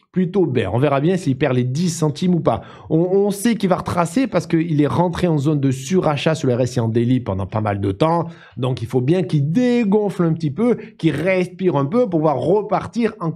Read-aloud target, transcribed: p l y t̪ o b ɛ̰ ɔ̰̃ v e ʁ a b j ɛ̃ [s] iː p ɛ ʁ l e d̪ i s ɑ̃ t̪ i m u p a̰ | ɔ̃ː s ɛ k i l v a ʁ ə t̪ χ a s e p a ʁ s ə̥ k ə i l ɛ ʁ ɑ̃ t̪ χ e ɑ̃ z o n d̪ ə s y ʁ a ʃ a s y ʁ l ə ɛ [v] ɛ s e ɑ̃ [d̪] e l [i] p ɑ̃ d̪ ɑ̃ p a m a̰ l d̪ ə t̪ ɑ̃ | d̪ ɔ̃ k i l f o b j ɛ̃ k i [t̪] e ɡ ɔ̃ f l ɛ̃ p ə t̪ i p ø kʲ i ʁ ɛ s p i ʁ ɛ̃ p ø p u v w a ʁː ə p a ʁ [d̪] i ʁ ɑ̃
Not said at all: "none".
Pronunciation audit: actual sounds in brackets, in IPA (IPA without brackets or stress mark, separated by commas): s, ʁ, d̪, i, d̪, t̪